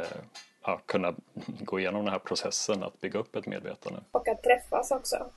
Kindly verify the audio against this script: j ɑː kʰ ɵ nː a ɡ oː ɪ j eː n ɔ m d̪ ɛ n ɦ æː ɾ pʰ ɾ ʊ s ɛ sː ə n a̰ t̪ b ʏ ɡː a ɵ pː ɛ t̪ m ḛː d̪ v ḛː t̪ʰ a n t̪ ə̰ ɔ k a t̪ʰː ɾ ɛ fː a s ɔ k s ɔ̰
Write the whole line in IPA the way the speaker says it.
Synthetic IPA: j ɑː kʰ ɵ nː a ɡ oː ɪ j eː n ɔ m d̪ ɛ n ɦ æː ɾ pʰ ɾ ʊ s ɛ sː ə n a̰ t̪ b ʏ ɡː a ɵ pː ɛ t̪ m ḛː d̪ v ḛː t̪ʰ a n d̪ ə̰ ɔ k a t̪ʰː ɾ ɛ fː a s ɔ k s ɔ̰